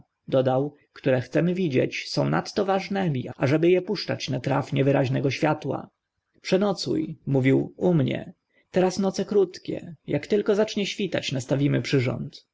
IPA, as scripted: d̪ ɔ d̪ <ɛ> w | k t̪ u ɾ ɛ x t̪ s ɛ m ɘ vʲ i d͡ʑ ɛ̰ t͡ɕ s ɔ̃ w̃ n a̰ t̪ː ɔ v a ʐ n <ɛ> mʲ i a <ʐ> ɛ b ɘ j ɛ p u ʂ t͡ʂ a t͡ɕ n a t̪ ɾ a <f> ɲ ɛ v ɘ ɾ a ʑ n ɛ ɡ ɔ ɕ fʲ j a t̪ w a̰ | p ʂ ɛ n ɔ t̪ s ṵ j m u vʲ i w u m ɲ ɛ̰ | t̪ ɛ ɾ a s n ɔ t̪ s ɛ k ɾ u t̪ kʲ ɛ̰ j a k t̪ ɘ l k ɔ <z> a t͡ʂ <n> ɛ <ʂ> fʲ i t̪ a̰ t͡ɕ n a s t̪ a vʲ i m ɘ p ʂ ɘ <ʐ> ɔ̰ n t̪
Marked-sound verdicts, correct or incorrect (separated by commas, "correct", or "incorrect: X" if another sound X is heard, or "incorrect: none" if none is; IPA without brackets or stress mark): incorrect: a, correct, correct, correct, correct, incorrect: ɲ, incorrect: ɕ, correct